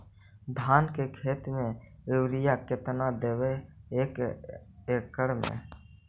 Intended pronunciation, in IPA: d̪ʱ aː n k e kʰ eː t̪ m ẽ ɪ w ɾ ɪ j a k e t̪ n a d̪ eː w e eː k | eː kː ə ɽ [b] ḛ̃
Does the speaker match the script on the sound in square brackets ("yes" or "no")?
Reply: no